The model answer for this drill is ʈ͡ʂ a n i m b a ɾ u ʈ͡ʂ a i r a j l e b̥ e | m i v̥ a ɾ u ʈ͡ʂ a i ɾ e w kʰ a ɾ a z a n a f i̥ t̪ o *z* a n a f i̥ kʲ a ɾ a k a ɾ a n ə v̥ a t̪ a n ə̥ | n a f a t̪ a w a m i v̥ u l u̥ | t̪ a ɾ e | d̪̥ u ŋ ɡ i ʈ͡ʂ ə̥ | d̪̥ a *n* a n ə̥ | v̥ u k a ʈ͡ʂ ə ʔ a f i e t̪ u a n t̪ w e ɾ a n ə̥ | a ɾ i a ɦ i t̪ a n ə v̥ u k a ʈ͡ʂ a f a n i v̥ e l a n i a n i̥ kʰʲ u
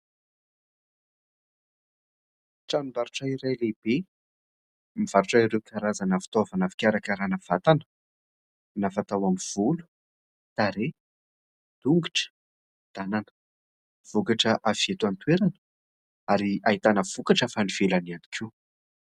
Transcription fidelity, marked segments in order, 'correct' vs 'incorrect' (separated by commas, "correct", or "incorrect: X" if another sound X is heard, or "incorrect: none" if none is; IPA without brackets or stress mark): incorrect: v, correct